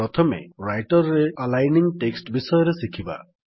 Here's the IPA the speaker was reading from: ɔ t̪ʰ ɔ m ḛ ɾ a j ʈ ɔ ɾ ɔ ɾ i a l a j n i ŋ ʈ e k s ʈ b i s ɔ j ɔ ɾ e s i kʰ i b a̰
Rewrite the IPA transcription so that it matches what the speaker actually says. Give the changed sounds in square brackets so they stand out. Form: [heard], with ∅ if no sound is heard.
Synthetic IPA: ɔ t̪ʰ ɔ m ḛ ɾ a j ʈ ɔ ɾ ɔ ɾ [e] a l a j n i ŋ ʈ e k s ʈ b i s ɔ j ɔ ɾ e s i kʰ i b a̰